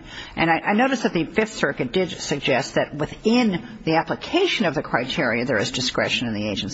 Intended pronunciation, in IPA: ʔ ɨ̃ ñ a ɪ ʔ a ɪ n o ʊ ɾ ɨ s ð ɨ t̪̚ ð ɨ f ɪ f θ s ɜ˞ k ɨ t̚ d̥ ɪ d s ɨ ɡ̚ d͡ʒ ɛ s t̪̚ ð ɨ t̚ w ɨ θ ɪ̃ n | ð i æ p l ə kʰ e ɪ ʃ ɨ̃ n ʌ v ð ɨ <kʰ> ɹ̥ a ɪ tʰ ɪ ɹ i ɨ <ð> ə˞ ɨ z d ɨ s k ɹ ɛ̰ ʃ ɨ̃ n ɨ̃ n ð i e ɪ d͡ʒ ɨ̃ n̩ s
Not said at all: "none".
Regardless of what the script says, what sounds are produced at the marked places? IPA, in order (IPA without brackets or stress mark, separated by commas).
kʰ, ð